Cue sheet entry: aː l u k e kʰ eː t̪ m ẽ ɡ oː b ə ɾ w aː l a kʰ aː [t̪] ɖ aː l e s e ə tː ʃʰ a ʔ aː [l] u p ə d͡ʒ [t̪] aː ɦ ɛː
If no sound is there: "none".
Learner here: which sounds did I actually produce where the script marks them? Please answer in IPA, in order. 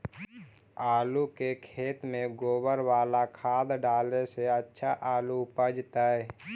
d̪, l, t̪

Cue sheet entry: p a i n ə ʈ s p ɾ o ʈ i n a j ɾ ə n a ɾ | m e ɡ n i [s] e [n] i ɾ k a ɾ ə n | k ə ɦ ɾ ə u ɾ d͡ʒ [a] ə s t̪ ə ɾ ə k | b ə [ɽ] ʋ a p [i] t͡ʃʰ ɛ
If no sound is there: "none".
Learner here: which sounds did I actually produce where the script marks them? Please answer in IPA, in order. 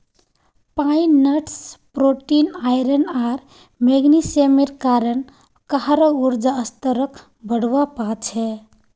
s, m, a, ɽ, a

